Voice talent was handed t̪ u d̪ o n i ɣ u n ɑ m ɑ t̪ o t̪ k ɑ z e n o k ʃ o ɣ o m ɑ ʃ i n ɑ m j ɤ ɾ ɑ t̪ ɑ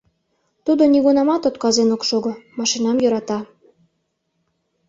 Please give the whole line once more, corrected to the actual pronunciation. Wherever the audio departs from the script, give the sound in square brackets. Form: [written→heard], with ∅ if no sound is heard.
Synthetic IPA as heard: t̪ u d̪ o n i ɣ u n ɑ m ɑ t̪ o t̪ k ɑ z e n o k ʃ o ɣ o m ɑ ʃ i n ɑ m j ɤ ɾ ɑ t̪ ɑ